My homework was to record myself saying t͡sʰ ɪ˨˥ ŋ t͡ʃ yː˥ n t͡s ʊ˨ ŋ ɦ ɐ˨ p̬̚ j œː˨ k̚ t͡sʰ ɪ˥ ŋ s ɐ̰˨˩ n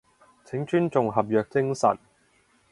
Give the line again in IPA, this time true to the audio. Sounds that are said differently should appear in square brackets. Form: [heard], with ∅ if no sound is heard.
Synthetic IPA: t͡sʰ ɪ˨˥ ŋ t͡ʃ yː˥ n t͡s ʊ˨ ŋ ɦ ɐ˨ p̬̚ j œː˨ k̚ [t͡s] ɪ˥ ŋ s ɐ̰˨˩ n